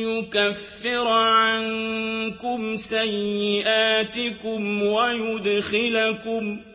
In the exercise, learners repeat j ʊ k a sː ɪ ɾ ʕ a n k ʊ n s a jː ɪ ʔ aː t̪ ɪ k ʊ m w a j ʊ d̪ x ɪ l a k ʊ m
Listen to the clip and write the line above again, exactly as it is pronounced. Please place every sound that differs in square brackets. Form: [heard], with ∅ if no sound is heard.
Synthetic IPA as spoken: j ʊ k a [fː] ɪ ɾ ʕ a n k ʊ [m] s a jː ɪ ʔ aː t̪ ɪ k ʊ m w a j ʊ d̪ x ɪ l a k ʊ m

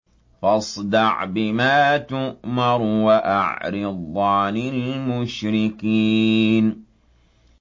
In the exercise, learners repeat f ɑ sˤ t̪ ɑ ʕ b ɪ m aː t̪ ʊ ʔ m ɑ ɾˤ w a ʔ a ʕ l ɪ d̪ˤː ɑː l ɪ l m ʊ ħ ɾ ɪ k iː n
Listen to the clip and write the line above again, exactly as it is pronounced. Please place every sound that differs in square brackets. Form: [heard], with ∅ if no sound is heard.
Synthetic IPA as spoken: f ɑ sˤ [d̪] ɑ ʕ b ɪ m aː t̪ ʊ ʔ m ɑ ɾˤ w a ʔ a ʕ [ɾ] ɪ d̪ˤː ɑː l ɪ l m ʊ [ʃ] ɾ ɪ k iː n

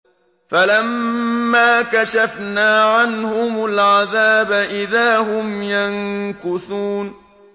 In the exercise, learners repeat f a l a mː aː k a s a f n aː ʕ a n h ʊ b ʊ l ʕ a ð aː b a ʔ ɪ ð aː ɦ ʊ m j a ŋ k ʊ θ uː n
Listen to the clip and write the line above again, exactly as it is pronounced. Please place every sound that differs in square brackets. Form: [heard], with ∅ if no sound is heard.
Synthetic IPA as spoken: f a l a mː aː k a [ʃ] a f n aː ʕ a n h ʊ [m] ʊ l ʕ a ð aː b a ʔ ɪ ð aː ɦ ʊ m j a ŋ k ʊ θ uː n

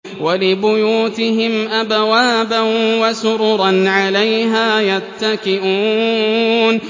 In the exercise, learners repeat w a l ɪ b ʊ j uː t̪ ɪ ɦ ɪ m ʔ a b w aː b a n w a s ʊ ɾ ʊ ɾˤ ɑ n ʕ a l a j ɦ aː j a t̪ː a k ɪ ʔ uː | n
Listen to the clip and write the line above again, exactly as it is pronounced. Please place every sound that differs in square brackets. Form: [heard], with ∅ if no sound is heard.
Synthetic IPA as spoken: w a l ɪ b ʊ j uː t̪ ɪ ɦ ɪ m ʔ a b w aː b a n w a s ʊ ɾ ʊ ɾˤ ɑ n ʕ a l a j ɦ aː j a t̪ː a k ɪ ʔ uː | n

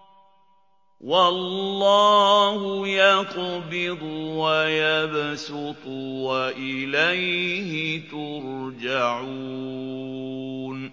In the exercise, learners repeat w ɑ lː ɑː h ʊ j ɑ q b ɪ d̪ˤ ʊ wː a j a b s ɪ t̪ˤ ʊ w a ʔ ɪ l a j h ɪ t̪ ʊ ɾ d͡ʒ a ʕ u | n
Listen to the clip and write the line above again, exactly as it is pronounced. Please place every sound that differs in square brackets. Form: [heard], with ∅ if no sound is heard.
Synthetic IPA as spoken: w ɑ lː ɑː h ʊ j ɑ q b ɪ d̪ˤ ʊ [w] a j a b s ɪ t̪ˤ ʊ w a ʔ ɪ l a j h ɪ t̪ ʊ ɾ d͡ʒ a ʕ u | n

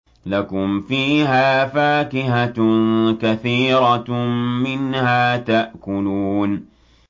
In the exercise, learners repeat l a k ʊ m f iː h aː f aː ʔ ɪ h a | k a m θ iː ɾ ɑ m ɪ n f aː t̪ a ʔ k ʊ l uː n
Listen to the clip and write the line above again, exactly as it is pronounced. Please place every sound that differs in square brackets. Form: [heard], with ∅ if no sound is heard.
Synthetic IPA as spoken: l a k ʊ m f iː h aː f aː [k] ɪ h a | k a [∅] θ iː ɾ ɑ m ɪ n [h] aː t̪ a ʔ k ʊ l uː n

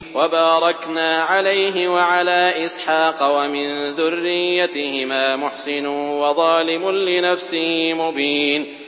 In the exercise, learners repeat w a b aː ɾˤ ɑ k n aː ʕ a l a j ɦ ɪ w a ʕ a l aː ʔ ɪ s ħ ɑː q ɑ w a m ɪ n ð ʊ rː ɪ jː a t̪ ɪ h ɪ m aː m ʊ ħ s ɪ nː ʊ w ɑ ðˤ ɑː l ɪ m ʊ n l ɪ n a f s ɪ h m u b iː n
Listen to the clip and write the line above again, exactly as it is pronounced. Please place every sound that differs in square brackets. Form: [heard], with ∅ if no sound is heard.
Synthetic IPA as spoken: w a b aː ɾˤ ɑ k n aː ʕ a l a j ɦ ɪ w a ʕ a l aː ʔ ɪ s ħ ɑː q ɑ w a m ɪ n ð ʊ rː ɪ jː a t̪ ɪ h ɪ m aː m ʊ ħ s ɪ [n] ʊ w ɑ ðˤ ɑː l ɪ m ʊ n l ɪ n a f s ɪ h m [ʊ] b iː n

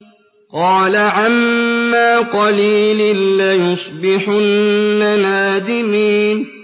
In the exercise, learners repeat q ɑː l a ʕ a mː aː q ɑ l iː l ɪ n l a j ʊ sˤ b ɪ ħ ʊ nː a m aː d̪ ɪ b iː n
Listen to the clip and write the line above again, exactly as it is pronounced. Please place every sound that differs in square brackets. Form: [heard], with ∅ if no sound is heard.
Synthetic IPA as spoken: q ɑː l a ʕ a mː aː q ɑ l iː l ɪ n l a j ʊ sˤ b ɪ ħ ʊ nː a [n] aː d̪ ɪ [m] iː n

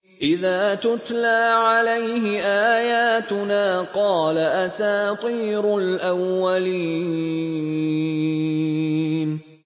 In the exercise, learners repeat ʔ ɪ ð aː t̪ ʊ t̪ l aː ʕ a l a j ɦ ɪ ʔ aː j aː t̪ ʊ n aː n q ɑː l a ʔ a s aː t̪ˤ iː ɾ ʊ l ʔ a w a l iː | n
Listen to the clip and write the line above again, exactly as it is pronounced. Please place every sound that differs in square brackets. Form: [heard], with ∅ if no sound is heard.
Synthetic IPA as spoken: ʔ ɪ ð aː t̪ ʊ t̪ l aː ʕ a l a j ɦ ɪ ʔ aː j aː t̪ ʊ n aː [∅] q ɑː l a ʔ a s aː t̪ˤ iː ɾ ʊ l ʔ a [wː] a l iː | n

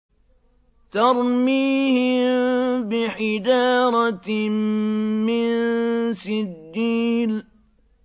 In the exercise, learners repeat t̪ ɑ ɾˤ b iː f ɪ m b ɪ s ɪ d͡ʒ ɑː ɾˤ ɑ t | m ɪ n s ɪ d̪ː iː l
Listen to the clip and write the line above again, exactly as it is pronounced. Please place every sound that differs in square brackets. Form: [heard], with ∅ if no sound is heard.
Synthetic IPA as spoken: t̪ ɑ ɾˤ [m] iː [h] ɪ m b ɪ [ħ] ɪ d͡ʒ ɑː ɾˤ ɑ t | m ɪ n s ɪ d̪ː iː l

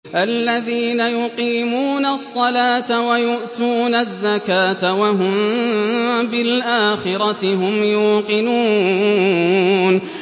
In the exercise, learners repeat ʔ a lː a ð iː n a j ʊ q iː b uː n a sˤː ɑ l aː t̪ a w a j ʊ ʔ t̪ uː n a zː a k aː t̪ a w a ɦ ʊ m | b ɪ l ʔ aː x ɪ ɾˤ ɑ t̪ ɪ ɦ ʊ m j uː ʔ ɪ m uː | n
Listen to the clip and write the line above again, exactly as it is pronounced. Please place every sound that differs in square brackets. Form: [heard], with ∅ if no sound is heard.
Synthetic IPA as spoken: ʔ a lː a ð iː n a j ʊ q iː [m] uː n a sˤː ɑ l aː t̪ a w a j ʊ ʔ t̪ uː n a zː a k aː t̪ a w a ɦ ʊ m | b ɪ l ʔ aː x ɪ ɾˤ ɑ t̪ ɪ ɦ ʊ m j uː [q] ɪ [n] uː | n

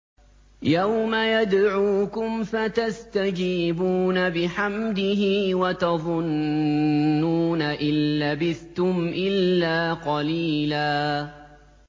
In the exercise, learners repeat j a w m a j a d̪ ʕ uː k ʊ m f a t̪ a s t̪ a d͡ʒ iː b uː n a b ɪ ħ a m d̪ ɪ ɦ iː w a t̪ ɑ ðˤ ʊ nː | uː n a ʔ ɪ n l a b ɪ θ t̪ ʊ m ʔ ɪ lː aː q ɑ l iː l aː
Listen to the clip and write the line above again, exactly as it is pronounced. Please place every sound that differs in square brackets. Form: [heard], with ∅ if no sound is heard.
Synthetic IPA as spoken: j a w m a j a d̪ ʕ uː k ʊ m f a t̪ a s t̪ a d͡ʒ iː b uː n a b ɪ ħ a m d̪ ɪ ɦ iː w a t̪ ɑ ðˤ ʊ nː | uː n a ʔ ɪ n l a b ɪ θ t̪ ʊ m ʔ ɪ lː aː q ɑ l iː l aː

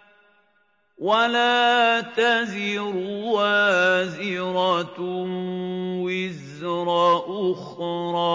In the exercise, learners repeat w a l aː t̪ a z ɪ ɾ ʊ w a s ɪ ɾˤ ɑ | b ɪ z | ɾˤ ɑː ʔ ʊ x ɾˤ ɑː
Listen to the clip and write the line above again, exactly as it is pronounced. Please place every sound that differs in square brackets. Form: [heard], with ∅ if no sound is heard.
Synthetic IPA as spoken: w a l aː t̪ a z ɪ ɾ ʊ w a [z] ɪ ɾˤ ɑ | [w] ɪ z | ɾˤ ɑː ʔ ʊ x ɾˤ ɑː

